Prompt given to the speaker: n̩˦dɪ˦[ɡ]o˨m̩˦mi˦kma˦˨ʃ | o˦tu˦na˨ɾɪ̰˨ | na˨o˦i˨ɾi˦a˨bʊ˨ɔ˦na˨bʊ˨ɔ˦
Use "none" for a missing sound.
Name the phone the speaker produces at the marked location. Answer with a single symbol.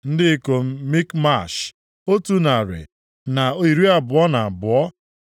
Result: k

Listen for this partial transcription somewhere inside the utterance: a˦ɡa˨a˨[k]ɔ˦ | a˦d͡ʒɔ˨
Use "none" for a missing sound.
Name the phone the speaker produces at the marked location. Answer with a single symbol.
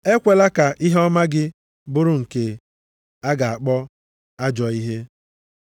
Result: k͡p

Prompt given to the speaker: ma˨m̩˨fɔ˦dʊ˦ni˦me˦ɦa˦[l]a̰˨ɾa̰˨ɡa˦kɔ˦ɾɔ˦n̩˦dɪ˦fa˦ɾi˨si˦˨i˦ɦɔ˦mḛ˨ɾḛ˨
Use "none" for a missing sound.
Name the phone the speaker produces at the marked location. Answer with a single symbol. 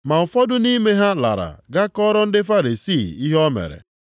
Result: l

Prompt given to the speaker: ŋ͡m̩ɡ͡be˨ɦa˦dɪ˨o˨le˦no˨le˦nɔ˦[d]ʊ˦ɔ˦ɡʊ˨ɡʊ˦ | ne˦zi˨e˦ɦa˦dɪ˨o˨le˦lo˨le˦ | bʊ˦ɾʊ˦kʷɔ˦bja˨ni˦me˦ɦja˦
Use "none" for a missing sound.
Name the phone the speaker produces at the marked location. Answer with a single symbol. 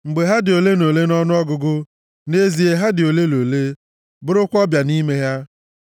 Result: n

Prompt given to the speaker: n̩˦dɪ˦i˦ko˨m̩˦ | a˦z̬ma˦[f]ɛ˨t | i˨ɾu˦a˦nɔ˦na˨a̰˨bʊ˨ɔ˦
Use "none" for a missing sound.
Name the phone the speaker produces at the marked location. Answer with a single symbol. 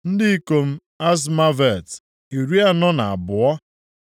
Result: v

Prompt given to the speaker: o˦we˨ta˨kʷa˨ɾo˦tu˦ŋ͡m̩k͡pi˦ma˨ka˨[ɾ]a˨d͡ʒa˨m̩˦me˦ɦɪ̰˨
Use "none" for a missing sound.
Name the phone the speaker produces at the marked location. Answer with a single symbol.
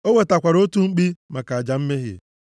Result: none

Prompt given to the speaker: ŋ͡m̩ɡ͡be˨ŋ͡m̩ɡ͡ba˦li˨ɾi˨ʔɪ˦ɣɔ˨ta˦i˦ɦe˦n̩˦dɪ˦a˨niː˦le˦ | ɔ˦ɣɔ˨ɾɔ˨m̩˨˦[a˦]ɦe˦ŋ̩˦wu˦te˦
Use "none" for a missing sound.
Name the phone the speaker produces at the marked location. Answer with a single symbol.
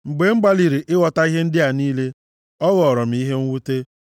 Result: i˦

